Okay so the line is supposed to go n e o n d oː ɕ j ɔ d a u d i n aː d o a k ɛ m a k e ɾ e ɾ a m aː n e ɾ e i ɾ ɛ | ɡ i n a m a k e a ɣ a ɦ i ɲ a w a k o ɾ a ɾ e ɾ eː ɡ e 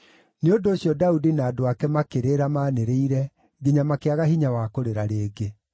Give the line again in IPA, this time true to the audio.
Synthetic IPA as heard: n e o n d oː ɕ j ɔ d a u d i n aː d o a k ɛ m a k e ɾ e ɾ a m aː n e ɾ e i ɾ ɛ | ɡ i ɲ a m a k e a ɣ a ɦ i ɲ a w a k o ɾ e ɾ a ɾ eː ɡ e